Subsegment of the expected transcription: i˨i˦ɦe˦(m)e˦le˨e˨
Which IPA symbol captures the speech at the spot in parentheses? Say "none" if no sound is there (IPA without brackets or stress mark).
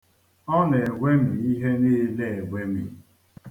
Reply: n